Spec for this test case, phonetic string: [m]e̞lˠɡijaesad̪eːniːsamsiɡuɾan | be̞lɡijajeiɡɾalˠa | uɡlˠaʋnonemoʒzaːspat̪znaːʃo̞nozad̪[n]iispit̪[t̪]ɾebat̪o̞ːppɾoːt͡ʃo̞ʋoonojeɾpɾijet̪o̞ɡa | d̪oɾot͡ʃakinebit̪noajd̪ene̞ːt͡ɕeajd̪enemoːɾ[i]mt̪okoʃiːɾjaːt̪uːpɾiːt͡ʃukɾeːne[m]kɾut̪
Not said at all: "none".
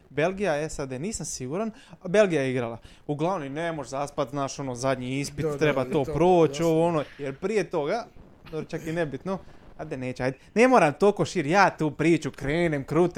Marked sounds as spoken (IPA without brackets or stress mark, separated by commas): b, ɲ, t̪, a, m